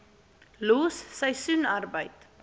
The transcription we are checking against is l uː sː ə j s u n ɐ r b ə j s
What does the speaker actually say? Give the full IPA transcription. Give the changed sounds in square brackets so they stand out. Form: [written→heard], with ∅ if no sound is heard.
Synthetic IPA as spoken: l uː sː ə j s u n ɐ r b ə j [s→t]